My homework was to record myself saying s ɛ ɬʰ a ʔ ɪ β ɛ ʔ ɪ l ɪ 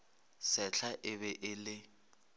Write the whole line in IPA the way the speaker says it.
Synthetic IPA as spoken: s ɛ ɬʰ a ʔ ɪ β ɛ ʔ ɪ l ɪ